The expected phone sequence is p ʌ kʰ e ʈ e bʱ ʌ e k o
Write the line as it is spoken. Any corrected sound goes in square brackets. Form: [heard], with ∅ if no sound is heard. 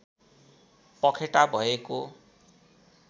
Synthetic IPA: p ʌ kʰ e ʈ [a] bʱ ʌ e k o